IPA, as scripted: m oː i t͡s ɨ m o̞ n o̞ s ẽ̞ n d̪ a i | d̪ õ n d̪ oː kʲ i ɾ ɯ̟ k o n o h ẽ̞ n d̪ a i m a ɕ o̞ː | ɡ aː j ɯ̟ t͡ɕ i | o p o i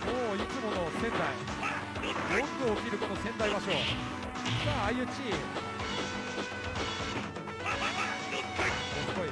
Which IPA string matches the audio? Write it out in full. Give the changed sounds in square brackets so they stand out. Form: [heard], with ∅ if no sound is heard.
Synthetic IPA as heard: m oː i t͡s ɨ m o̞ n o̞ s ẽ̞ n d̪ a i | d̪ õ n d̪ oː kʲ i ɾ ɯ̟ k o n o [s] ẽ̞ n d̪ a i m a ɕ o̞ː | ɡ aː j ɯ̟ t͡ɕ i | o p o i